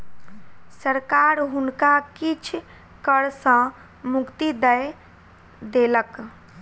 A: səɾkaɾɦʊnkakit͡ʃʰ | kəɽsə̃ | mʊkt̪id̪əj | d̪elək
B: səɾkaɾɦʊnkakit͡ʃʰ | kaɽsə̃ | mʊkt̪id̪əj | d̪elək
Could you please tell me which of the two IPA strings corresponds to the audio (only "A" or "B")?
A